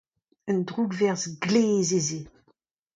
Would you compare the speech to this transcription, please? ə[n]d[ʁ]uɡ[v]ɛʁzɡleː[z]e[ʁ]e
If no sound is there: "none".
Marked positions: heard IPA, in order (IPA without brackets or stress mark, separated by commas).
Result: n, ʁ, v, z, z